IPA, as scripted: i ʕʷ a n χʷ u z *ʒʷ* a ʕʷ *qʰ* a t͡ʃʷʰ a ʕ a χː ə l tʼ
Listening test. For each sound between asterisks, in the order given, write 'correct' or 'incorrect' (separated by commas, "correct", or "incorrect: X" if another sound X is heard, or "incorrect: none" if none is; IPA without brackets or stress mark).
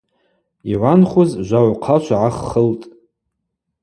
correct, correct